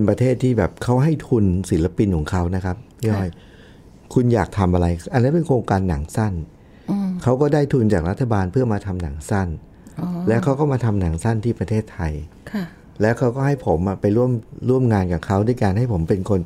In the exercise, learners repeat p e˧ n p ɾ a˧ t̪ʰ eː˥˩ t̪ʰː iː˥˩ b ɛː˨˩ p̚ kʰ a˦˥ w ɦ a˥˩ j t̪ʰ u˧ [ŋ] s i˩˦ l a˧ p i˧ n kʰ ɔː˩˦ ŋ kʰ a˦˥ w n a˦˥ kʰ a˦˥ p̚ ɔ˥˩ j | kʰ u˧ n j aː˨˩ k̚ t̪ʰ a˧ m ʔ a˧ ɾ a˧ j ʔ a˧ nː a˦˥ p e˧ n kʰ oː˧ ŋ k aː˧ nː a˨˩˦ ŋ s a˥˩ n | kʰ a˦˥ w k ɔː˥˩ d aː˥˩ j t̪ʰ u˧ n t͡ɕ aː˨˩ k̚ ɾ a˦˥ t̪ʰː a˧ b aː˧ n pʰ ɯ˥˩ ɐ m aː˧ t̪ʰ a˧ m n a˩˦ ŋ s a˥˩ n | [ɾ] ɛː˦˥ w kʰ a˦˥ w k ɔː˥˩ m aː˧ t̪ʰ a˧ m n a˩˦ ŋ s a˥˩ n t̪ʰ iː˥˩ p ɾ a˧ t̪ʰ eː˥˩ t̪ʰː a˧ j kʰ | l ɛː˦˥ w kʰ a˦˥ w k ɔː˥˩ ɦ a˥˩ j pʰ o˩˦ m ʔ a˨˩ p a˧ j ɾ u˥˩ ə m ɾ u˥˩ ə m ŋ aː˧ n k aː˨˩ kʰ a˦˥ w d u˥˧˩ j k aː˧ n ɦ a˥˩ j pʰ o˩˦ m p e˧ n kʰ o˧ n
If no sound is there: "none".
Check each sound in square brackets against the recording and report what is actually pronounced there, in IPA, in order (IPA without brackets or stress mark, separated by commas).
n, l